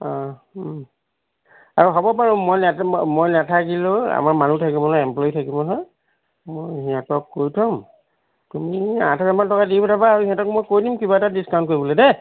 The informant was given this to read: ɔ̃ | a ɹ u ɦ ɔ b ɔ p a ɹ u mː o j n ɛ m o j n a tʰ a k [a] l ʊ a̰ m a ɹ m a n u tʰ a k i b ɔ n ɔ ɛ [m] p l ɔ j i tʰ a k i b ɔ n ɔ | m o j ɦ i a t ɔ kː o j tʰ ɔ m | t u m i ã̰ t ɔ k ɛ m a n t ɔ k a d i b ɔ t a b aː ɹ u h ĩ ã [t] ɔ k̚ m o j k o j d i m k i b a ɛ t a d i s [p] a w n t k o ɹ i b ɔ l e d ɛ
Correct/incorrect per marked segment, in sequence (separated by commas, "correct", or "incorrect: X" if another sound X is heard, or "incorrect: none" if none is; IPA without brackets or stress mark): incorrect: i, correct, correct, incorrect: k